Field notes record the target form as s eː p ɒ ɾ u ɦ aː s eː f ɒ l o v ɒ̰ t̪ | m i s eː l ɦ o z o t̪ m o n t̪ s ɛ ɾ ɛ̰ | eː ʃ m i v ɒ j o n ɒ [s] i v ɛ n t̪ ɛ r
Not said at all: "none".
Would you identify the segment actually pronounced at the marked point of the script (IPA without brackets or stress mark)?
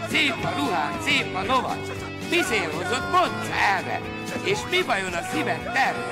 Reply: s